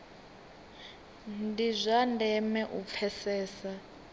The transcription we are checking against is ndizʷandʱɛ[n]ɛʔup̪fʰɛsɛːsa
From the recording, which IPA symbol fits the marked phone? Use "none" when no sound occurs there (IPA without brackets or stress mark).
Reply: m